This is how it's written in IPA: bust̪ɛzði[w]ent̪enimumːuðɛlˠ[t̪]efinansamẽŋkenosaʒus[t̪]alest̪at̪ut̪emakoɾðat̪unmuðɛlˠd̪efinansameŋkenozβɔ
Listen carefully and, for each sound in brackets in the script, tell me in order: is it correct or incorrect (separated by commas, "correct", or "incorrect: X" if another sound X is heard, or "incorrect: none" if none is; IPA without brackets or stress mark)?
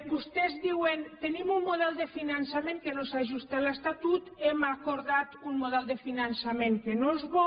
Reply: correct, incorrect: d̪, correct